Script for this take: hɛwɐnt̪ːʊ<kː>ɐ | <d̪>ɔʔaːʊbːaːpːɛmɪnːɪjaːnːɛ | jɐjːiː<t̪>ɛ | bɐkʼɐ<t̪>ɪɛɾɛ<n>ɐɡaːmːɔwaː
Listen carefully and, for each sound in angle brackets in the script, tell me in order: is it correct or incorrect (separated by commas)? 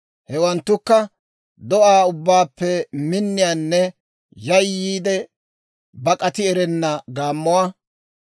correct, correct, incorrect, correct, incorrect